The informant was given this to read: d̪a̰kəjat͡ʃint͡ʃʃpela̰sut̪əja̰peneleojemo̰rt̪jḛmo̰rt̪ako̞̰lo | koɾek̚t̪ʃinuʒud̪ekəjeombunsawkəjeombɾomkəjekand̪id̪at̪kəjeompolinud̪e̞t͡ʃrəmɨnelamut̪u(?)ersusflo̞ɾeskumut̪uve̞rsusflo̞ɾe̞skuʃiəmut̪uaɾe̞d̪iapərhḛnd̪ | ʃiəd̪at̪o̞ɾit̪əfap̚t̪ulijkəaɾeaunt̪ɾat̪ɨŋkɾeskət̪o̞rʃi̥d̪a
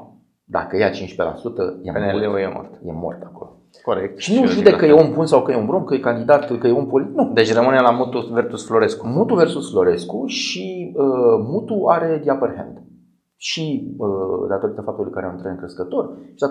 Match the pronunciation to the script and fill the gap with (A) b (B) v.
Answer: B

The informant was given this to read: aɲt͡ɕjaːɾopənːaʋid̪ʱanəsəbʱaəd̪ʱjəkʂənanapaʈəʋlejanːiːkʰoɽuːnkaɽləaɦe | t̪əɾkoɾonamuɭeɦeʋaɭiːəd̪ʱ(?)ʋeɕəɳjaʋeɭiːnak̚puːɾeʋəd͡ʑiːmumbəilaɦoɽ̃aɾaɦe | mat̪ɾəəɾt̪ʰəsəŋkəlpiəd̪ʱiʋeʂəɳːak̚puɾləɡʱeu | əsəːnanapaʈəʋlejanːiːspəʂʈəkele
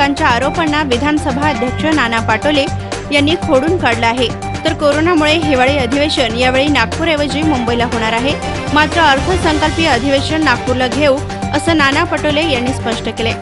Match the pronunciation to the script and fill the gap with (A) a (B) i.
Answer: B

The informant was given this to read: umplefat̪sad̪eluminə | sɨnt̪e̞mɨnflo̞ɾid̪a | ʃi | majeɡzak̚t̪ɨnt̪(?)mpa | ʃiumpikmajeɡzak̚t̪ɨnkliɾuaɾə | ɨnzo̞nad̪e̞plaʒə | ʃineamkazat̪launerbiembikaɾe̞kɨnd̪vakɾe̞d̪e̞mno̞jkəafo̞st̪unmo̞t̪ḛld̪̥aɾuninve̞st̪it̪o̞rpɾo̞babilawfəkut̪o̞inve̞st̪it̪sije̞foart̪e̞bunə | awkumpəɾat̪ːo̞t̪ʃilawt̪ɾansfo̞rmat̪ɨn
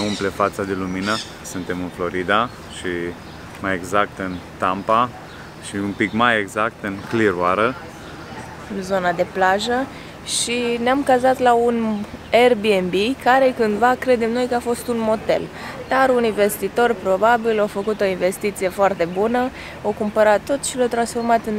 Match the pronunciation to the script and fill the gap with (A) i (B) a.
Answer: B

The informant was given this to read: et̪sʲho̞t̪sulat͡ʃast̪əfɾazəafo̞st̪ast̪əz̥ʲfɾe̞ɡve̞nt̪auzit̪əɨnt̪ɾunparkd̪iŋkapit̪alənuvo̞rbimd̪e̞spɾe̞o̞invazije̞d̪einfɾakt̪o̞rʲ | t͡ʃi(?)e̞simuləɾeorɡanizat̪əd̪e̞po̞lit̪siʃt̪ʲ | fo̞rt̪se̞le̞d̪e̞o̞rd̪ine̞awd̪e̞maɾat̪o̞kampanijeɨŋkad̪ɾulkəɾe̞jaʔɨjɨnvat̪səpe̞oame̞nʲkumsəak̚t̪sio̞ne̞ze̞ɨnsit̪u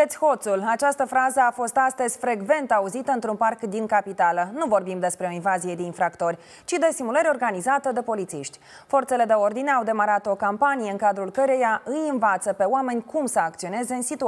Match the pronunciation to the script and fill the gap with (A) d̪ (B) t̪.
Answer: A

